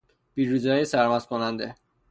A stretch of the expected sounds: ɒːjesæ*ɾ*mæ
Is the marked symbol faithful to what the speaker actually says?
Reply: yes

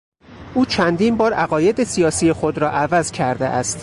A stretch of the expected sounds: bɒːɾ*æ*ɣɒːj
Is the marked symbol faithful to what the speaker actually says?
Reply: yes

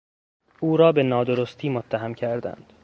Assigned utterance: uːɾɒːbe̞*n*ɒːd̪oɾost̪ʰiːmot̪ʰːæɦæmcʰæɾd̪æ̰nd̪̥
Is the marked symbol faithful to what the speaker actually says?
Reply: yes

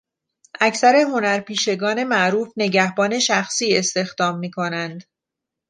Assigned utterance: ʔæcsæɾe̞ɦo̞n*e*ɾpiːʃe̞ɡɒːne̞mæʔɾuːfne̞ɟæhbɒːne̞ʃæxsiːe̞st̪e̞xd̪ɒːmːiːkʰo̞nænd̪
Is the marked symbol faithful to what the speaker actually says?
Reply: no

